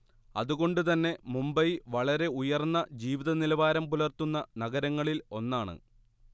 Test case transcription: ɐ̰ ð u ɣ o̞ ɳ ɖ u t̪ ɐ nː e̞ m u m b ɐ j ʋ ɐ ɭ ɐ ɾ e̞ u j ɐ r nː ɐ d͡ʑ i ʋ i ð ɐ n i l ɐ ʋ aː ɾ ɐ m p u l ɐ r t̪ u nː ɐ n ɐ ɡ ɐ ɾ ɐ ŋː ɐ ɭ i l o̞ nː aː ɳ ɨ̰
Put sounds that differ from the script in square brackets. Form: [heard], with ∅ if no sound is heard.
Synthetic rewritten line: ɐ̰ ð u ɣ o̞ ɳ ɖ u t̪ ɐ nː e̞ m u m b ɐ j ʋ ɐ ɭ ɐ ɾ e̞ u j ɐ r nː ɐ d͡ʑ [iː] ʋ i ð ɐ n i l ɐ ʋ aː ɾ ɐ m p u l ɐ r t̪ u nː ɐ n ɐ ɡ ɐ ɾ ɐ ŋː ɐ ɭ i l o̞ nː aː ɳ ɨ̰

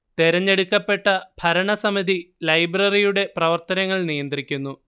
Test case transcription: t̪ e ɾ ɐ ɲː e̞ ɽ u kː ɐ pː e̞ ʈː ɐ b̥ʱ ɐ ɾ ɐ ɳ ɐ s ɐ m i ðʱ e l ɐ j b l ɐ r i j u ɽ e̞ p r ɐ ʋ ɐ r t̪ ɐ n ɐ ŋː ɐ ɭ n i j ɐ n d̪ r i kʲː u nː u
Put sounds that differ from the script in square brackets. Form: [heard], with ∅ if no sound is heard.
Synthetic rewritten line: t̪ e ɾ ɐ ɲː e̞ ɽ u kː ɐ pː e̞ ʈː ɐ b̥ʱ ɐ ɾ ɐ ɳ ɐ s ɐ m i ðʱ [i] l ɐ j b [r] ɐ r i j u ɽ e̞ p r ɐ ʋ ɐ r t̪ ɐ n ɐ ŋː ɐ ɭ n i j ɐ n d̪ r i kʲː u nː u

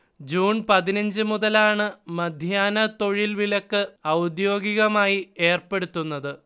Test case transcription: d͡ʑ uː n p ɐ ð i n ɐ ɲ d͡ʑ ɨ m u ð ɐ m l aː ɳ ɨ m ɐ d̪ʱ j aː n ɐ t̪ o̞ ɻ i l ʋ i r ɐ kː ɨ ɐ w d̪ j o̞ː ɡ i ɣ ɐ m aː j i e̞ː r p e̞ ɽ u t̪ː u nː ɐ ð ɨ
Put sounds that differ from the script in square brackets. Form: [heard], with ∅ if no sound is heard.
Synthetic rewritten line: d͡ʑ uː n p ɐ ð i n ɐ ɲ d͡ʑ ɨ m u ð ɐ [∅] l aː ɳ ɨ m ɐ d̪ʱ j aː n ɐ t̪ o̞ ɻ i l ʋ i [l] ɐ kː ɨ ɐ w d̪ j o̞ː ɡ i ɣ ɐ m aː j i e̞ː r p e̞ ɽ u t̪ː u nː ɐ ð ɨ

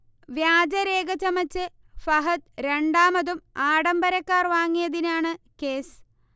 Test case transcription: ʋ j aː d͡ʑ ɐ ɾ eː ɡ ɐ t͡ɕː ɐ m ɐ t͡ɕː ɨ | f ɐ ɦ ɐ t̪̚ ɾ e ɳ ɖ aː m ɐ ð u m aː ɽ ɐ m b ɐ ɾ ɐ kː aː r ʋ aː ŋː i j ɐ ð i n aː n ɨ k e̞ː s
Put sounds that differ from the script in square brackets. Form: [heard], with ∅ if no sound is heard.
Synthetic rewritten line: ʋ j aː d͡ʑ ɐ ɾ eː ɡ ɐ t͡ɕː ɐ m ɐ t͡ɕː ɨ | f ɐ ɦ ɐ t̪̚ ɾ e ɳ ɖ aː m ɐ ð u m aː ɽ ɐ m b ɐ ɾ ɐ kː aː r ʋ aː ŋː i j ɐ ð i n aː [ɳ] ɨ k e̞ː s

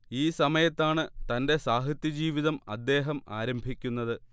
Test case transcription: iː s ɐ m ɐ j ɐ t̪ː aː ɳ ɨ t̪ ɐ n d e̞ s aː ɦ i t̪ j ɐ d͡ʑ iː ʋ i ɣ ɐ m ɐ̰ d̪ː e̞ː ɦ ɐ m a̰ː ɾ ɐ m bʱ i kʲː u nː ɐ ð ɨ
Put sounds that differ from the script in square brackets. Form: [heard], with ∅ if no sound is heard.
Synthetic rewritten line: iː s ɐ m ɐ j ɐ t̪ː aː ɳ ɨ t̪ ɐ n d e̞ s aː ɦ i t̪ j ɐ d͡ʑ iː ʋ i [ð] ɐ m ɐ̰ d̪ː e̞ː ɦ ɐ m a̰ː ɾ ɐ m bʱ i kʲː u nː ɐ ð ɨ

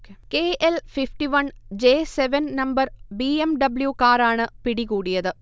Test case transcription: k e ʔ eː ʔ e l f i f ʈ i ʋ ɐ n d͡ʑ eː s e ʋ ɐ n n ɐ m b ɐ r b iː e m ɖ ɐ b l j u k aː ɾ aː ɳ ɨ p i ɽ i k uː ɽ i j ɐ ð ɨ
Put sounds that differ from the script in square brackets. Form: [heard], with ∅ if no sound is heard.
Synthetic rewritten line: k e [k] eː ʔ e l f i f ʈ i ʋ ɐ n d͡ʑ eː s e ʋ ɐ n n ɐ m b ɐ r b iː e m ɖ ɐ b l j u k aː ɾ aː ɳ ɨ p i ɽ i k uː ɽ i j ɐ ð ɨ

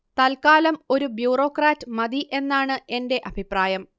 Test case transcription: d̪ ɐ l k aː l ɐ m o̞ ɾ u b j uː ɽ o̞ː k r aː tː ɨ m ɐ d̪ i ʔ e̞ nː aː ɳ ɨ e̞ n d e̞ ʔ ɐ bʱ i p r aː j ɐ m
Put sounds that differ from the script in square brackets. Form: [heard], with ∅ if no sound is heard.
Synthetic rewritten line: [t̪] ɐ l k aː l ɐ m o̞ ɾ u b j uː [r] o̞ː k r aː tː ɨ m ɐ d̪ i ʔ e̞ nː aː ɳ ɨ e̞ n d e̞ ʔ ɐ bʱ i p r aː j ɐ m

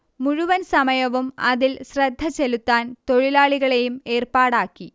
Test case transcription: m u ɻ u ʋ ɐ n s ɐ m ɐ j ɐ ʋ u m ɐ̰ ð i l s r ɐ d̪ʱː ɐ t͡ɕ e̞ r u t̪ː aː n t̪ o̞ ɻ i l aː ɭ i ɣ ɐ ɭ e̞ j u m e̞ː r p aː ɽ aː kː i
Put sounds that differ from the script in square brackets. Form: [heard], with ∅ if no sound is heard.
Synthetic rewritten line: m u ɻ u ʋ ɐ n s ɐ m ɐ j ɐ ʋ u m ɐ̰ ð i l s r ɐ d̪ʱː ɐ t͡ɕ e̞ [l] u t̪ː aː n t̪ o̞ ɻ i l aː ɭ i ɣ ɐ ɭ e̞ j u m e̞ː r p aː ɽ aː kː i

